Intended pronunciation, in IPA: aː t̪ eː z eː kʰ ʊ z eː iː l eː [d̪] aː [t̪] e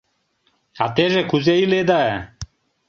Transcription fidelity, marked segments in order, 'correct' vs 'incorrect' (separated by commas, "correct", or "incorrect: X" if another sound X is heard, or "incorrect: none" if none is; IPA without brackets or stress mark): correct, incorrect: none